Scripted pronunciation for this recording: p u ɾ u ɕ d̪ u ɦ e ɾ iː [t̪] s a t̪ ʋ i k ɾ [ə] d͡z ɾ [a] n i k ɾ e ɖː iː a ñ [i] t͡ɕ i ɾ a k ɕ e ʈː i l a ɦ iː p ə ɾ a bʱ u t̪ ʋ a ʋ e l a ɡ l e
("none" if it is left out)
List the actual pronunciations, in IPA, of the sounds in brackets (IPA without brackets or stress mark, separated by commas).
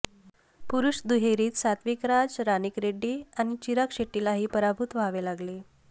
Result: t̪, a, a, i